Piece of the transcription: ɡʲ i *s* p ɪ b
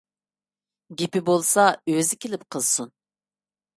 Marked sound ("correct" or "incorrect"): incorrect